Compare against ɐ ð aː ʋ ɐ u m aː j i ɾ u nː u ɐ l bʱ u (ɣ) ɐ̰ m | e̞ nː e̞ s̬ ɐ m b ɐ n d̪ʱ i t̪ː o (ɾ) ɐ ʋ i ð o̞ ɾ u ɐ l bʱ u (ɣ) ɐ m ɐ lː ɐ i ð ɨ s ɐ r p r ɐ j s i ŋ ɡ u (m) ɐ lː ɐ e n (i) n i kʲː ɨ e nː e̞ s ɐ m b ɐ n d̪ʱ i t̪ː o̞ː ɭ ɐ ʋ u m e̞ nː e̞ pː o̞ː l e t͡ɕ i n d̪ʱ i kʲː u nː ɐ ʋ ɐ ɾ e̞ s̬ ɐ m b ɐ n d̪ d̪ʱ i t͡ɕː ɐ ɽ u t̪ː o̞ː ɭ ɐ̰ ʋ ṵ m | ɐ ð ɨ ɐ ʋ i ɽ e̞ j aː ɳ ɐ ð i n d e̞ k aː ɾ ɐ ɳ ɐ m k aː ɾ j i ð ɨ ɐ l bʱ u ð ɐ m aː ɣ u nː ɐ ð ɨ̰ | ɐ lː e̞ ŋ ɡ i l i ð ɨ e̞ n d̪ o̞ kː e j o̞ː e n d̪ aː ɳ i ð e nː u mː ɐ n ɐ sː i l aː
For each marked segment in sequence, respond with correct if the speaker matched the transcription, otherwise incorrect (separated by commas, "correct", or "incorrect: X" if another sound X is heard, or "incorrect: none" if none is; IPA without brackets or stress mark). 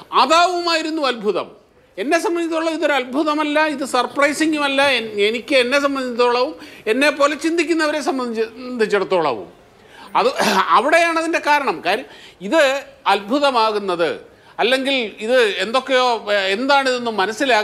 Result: incorrect: ð, incorrect: ɭ, incorrect: ð, correct, incorrect: e